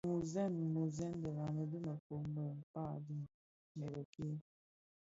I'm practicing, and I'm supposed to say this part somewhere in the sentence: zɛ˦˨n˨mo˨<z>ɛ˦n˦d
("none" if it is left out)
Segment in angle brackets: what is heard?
z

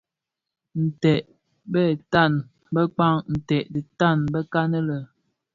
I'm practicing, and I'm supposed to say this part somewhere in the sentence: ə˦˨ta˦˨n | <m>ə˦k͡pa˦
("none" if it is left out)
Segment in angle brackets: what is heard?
b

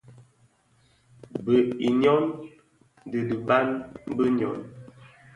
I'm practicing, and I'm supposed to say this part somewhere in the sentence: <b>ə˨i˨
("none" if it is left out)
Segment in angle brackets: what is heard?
b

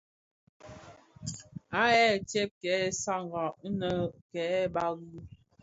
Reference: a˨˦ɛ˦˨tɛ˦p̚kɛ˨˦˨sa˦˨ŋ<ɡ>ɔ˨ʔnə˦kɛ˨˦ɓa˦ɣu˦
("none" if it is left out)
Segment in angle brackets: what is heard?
ɡ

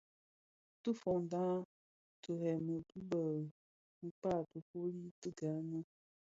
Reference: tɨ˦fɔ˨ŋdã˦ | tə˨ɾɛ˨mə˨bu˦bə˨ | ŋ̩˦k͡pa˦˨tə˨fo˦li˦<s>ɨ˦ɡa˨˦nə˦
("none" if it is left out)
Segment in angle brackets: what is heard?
t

